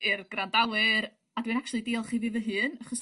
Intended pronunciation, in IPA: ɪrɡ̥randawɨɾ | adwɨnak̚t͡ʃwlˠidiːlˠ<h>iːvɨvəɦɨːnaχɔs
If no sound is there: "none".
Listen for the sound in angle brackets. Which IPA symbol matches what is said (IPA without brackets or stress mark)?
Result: χ